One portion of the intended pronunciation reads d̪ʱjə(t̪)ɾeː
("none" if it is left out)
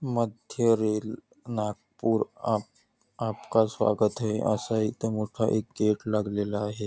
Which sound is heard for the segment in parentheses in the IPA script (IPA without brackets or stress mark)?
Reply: none